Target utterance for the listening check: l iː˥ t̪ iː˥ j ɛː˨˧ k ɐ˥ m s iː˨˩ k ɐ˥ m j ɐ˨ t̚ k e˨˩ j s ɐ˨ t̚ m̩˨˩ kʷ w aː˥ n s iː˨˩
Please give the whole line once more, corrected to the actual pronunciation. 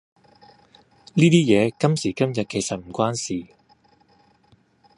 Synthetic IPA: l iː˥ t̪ iː˥ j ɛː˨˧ k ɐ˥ m s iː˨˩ k ɐ˥ m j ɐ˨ t̚ k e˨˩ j s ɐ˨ t̚ m̩˨˩ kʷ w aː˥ n s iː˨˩